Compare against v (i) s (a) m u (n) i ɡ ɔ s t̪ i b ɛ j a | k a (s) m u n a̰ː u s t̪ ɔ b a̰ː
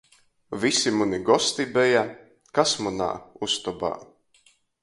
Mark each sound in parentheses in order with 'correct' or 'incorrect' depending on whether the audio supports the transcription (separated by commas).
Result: correct, incorrect, correct, correct